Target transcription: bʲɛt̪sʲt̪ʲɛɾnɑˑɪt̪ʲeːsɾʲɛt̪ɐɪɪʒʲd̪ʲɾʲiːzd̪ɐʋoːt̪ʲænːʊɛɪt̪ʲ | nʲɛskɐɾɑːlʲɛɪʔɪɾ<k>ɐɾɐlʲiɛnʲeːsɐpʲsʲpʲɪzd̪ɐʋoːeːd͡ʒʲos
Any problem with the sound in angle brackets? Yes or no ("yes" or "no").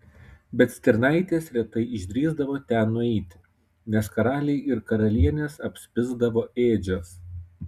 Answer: no